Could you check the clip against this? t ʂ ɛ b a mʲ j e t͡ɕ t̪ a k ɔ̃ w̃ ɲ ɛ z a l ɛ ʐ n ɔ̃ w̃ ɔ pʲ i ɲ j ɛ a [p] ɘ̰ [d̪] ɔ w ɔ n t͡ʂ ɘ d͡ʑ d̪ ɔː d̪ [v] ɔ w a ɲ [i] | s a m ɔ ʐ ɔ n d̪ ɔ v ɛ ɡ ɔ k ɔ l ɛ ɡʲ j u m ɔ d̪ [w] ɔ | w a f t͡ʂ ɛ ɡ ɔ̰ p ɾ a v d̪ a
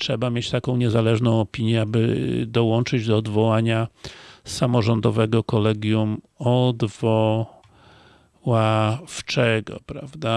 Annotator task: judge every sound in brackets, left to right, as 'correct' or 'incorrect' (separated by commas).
incorrect, correct, correct, incorrect, incorrect